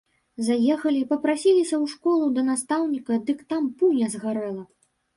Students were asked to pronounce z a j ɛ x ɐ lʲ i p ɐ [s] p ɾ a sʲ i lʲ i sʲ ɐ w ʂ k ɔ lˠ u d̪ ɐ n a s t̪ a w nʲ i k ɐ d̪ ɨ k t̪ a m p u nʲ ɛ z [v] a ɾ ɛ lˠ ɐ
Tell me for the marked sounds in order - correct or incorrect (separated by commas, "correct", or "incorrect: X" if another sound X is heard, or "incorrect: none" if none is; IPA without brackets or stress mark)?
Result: incorrect: none, incorrect: ɣ